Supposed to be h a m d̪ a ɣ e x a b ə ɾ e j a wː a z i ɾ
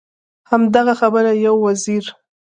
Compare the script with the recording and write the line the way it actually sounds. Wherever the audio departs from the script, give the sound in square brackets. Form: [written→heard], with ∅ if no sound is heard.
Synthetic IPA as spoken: h a m d̪ a ɣ [e→a] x a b ə ɾ [e→a] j a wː a z i ɾ